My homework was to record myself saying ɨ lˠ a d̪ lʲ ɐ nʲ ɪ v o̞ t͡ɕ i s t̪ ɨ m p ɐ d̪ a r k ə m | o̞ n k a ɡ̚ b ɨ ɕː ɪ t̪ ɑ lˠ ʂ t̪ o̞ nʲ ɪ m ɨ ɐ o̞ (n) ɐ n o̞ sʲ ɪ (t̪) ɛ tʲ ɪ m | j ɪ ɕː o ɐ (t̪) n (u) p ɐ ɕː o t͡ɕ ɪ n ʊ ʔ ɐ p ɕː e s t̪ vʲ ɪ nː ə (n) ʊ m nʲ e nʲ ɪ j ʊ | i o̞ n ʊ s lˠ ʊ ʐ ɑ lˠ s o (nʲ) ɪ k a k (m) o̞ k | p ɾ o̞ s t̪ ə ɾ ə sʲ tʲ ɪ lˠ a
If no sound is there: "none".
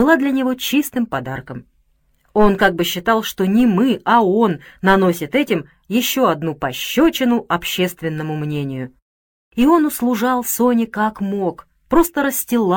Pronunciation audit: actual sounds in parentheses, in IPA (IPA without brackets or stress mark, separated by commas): nː, t̪, d̪, u, m, nʲ, m